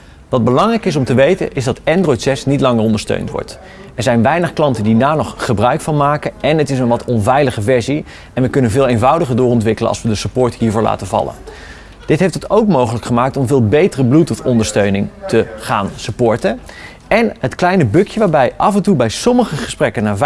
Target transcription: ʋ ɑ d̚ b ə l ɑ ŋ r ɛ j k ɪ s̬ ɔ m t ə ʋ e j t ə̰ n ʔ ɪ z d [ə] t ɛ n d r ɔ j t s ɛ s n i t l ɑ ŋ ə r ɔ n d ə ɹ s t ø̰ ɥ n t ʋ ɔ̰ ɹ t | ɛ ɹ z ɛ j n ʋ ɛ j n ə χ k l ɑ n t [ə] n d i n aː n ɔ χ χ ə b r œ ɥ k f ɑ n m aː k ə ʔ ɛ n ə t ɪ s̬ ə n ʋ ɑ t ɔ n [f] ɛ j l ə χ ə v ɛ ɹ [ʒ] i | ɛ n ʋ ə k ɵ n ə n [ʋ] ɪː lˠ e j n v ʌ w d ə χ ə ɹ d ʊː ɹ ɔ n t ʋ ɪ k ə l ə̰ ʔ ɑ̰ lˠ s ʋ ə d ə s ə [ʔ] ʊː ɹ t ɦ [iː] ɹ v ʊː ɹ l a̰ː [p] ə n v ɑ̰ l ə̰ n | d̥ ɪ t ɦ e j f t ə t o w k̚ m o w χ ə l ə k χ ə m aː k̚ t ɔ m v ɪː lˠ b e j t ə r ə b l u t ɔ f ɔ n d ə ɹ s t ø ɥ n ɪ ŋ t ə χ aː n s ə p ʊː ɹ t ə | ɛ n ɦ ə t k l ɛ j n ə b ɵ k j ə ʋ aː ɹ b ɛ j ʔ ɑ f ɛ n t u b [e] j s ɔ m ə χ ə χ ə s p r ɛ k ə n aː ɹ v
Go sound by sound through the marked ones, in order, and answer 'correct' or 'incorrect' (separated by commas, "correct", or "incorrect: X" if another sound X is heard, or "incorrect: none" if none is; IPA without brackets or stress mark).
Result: incorrect: ɑ, correct, incorrect: v, incorrect: z, incorrect: v, incorrect: p, correct, incorrect: t, incorrect: ɛ